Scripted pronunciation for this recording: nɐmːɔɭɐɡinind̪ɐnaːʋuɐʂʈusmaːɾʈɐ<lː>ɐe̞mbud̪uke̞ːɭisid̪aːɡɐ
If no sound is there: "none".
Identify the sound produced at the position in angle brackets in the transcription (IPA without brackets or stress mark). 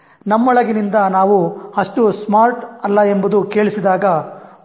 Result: lː